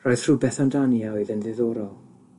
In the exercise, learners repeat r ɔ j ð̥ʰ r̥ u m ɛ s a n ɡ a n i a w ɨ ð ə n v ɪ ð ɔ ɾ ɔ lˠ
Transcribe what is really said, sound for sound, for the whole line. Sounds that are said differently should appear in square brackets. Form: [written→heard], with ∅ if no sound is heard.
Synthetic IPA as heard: r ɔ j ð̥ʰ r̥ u [m→b] ɛ [s→θ] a n [ɡ→d] a n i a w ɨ ð ə n [v→ð] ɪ ð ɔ ɾ ɔ lˠ